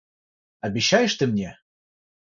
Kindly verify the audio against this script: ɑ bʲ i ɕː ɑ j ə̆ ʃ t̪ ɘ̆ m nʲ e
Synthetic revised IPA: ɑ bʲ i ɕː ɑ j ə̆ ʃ t̪ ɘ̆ m nʲ e